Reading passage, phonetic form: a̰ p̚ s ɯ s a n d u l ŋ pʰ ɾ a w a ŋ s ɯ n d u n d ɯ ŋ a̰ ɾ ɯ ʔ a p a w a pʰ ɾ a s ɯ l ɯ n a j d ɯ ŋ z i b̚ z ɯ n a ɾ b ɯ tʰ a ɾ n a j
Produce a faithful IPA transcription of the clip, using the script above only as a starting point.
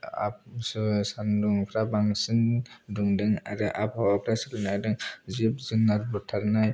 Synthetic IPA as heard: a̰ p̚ s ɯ s a n d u ŋ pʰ ɾ a b a ŋ s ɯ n d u ŋ d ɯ ŋ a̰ ɾ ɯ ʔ a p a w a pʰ ɾ a s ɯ l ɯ n a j d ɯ ŋ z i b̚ z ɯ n a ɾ b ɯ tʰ a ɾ n a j